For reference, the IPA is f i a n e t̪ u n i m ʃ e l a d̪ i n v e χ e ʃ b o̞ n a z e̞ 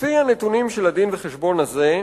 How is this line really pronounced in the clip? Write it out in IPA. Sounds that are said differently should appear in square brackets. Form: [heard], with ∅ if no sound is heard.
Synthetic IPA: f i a n e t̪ u n i m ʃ e l a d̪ i n v e χ e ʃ b o̞ n a z e̞